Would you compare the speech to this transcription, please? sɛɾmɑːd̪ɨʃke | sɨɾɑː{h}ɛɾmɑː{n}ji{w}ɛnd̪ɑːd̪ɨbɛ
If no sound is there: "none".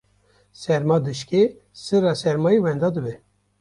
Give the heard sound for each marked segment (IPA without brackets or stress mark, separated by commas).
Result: s, none, w